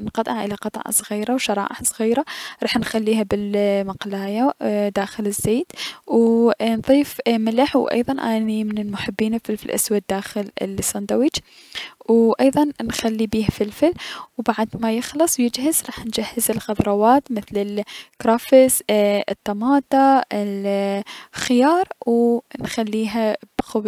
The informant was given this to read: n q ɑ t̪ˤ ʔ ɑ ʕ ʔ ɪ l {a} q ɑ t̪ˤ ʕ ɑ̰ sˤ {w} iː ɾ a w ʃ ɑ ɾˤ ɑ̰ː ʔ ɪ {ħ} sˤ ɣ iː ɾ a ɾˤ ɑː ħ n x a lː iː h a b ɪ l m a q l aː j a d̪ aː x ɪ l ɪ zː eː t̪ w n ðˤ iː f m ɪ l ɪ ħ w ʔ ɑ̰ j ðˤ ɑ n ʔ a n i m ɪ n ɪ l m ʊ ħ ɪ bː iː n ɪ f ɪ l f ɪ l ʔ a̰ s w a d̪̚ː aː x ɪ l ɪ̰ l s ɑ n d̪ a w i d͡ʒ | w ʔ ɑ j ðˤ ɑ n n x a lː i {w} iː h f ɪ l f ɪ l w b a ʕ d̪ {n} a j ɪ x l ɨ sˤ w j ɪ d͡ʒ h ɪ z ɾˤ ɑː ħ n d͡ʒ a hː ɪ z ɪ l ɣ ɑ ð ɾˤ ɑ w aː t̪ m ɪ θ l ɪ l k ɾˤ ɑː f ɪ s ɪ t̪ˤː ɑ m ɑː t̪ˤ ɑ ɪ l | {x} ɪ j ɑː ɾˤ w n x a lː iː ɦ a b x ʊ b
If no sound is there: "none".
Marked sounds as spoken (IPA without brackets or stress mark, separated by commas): a, ɣ, ħ, b, m, x